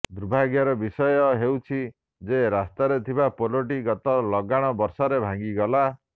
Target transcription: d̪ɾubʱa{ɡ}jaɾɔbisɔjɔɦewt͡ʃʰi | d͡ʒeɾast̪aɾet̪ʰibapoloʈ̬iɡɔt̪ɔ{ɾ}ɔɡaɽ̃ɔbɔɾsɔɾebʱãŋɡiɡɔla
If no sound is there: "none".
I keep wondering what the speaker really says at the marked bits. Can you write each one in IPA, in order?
ɡ, l

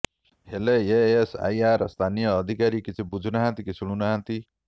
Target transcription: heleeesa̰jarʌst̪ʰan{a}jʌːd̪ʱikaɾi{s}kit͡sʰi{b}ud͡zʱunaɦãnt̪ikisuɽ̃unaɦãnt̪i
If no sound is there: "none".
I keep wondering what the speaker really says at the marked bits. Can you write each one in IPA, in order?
i, none, b

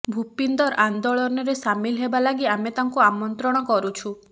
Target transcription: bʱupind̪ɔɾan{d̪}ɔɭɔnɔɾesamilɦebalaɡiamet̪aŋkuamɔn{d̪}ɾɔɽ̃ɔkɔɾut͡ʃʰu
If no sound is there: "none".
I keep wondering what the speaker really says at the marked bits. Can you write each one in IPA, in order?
d̪, t̪

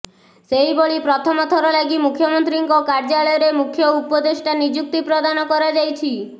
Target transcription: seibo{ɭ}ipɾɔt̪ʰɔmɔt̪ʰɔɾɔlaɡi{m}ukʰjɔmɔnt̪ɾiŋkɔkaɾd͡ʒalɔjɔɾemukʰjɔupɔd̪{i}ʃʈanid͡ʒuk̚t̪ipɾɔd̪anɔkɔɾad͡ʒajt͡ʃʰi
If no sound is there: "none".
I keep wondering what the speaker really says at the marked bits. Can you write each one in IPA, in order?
ɭ, m, e

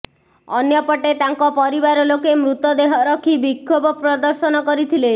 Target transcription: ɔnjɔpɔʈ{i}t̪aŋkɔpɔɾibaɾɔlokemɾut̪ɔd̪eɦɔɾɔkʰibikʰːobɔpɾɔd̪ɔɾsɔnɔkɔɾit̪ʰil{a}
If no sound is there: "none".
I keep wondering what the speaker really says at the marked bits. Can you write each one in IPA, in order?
e, e

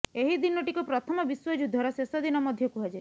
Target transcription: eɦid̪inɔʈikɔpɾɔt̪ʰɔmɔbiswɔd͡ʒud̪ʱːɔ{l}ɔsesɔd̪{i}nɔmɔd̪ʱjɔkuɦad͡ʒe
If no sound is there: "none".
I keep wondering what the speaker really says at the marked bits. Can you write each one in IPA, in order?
ɾ, i

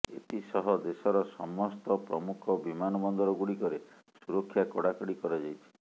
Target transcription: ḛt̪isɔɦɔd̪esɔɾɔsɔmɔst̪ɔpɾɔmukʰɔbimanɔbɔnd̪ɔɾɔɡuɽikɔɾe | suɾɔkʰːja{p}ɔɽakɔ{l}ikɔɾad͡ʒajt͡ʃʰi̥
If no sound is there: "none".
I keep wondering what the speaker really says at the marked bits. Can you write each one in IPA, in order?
k, ɽ

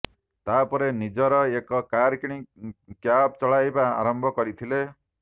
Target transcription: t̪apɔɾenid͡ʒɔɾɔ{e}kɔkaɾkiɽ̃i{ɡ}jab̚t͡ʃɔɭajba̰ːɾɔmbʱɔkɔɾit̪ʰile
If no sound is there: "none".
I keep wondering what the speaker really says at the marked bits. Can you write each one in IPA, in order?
e, k

